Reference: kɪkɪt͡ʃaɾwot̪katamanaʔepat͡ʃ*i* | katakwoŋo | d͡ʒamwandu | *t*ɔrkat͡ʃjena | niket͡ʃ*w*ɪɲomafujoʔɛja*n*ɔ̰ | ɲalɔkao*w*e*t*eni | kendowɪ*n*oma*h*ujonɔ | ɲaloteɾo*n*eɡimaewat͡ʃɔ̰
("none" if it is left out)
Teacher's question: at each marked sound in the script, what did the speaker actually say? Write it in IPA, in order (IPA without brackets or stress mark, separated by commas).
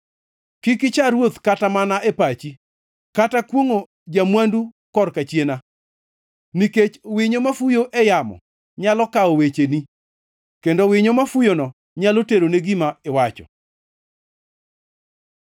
i, k, w, m, w, t͡ʃ, ɲ, f, n